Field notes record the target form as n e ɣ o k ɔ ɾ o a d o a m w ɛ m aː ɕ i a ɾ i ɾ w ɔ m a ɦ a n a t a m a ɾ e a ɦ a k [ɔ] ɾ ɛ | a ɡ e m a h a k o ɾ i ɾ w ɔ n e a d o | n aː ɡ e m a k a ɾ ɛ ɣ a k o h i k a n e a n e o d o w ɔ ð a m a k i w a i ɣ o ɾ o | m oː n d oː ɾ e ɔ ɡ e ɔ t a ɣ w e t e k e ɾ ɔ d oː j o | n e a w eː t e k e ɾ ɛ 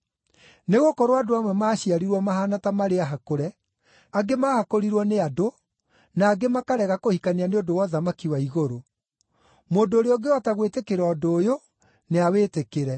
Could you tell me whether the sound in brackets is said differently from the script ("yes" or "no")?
yes